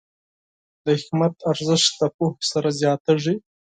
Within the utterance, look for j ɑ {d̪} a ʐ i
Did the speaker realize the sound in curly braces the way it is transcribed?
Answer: no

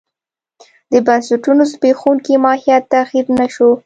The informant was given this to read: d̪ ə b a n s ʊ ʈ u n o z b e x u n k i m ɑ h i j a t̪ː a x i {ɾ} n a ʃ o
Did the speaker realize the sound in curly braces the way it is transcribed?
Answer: yes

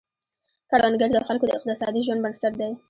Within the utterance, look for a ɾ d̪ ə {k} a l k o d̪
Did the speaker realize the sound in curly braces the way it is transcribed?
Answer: no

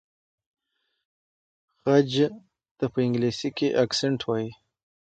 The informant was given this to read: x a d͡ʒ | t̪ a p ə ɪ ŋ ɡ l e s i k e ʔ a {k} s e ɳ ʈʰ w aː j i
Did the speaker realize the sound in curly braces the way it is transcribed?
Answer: yes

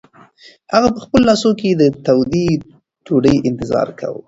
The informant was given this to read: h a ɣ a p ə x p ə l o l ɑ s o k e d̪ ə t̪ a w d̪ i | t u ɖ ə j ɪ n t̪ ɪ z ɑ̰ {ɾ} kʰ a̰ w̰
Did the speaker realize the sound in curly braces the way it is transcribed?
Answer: yes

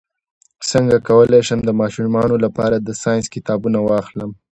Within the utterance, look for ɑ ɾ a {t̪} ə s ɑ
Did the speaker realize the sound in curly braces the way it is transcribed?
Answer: no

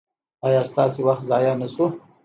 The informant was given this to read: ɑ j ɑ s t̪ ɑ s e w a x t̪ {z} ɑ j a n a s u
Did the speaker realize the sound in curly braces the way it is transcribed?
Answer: yes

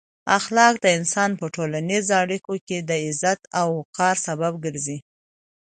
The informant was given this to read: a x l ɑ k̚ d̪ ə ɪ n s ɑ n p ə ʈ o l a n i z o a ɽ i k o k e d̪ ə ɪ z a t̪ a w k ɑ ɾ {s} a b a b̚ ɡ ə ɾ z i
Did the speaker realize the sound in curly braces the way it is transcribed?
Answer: yes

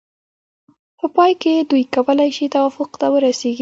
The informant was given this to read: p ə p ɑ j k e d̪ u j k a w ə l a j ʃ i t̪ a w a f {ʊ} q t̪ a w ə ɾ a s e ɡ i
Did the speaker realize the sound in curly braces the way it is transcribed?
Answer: yes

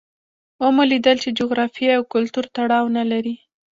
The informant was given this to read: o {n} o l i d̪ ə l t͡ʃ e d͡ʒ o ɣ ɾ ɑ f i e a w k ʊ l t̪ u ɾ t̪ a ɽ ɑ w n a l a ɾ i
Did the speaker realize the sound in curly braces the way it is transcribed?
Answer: no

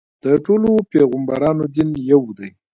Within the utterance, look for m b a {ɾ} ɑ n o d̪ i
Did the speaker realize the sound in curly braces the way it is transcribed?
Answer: yes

